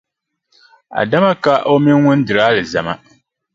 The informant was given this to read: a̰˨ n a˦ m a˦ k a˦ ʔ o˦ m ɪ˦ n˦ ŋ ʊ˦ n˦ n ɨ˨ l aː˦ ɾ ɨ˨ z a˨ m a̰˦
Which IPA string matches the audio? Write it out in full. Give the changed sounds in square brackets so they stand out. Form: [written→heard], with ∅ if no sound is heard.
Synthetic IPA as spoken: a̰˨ [n→d] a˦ m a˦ k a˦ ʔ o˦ m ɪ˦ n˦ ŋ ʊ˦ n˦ [n→d] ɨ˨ [l→ɾ] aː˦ [ɾ→l] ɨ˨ z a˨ m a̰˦